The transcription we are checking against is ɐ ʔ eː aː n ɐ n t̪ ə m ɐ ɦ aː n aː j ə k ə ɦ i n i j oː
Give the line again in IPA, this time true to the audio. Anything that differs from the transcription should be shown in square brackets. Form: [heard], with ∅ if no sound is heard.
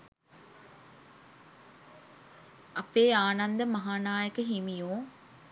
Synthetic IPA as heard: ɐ [p] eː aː n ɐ n [d̪] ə m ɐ ɦ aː n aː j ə k ə ɦ i [m] i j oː